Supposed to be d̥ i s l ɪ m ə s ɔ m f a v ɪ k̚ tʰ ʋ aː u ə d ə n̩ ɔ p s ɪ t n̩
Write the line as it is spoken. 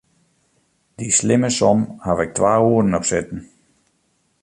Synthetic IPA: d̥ i s l ɪ m ə s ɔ m h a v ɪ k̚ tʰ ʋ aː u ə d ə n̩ ɔ p s ɪ t n̩